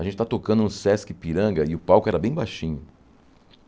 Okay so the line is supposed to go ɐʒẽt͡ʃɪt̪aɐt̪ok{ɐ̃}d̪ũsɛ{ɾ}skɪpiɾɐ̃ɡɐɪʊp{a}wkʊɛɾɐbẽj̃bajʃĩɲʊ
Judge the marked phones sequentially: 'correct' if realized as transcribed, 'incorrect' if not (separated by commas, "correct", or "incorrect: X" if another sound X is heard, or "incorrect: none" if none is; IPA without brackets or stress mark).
correct, incorrect: none, correct